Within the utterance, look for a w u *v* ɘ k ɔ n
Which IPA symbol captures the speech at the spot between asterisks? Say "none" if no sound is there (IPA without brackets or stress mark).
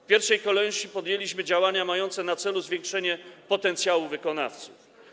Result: v